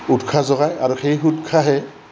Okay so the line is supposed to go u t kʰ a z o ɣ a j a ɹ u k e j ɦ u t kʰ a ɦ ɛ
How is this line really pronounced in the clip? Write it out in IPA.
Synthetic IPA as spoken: u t kʰ a z ɔ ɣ a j a ɹ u x e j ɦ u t kʰ a ɦ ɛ